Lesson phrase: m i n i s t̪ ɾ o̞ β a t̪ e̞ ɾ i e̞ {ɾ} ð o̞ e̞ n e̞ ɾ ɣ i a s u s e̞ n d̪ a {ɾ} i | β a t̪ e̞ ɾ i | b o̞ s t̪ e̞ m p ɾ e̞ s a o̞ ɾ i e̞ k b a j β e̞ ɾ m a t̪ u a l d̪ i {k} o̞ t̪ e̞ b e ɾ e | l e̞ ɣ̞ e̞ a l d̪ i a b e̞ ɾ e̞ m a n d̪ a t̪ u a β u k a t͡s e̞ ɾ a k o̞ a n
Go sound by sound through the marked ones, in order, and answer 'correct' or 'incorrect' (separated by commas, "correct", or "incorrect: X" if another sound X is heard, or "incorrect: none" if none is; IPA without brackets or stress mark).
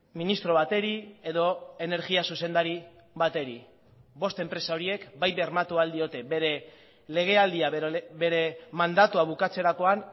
incorrect: none, correct, incorrect: none